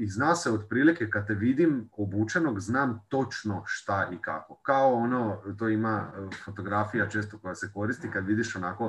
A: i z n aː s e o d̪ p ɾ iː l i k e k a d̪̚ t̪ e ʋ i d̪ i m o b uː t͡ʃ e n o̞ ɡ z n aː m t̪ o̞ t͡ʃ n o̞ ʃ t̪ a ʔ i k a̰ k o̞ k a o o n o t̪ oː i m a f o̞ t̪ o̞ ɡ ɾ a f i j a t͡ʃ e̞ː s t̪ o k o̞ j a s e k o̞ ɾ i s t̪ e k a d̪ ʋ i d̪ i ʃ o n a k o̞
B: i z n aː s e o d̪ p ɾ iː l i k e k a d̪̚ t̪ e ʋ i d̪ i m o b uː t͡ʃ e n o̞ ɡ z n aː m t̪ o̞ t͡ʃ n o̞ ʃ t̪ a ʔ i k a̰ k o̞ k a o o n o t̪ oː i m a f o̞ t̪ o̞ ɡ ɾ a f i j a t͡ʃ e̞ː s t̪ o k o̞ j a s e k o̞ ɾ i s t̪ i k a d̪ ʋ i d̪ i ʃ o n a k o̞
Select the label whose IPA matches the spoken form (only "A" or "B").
B